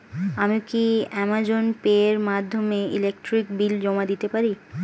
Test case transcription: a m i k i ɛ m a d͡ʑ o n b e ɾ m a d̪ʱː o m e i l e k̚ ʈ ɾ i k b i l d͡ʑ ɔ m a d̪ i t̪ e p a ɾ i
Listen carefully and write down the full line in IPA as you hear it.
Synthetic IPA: a m i k i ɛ m a d͡ʑ o n p e ɾ m a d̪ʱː o m e i l e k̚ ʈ ɾ i k b i l d͡ʑ ɔ m a d̪ i t̪ e p a ɾ i